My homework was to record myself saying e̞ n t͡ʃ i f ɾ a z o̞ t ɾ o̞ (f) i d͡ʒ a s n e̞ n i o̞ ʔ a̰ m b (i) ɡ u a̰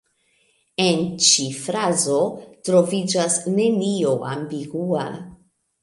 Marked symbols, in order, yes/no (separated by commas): no, yes